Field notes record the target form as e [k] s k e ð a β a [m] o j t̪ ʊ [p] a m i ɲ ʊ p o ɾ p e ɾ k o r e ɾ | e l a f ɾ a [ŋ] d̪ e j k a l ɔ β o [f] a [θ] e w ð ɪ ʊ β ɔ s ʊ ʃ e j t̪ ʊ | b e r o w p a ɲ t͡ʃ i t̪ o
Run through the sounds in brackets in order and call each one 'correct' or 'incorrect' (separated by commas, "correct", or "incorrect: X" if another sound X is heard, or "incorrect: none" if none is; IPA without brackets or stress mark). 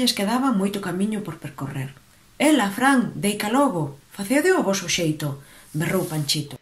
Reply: incorrect: none, correct, incorrect: k, correct, correct, correct